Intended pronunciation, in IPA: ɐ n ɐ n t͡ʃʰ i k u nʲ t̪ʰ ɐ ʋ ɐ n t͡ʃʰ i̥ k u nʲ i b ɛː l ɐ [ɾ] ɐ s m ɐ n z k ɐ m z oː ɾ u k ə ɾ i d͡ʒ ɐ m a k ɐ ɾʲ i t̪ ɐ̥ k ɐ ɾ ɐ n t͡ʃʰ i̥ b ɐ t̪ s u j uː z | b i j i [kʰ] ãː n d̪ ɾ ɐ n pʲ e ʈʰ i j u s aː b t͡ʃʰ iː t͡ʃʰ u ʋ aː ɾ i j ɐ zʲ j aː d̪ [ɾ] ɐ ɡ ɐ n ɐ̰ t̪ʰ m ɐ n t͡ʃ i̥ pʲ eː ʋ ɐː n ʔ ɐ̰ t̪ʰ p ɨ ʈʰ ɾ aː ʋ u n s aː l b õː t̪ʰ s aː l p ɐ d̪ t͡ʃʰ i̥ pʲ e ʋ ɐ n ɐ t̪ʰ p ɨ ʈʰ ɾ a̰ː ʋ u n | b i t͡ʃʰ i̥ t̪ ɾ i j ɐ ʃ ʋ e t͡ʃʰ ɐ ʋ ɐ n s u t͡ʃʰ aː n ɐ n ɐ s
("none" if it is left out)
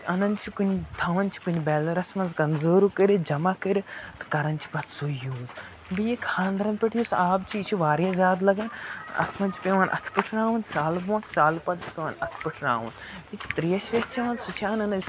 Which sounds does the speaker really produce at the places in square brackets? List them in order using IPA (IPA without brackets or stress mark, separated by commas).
ɾ, kʰ, l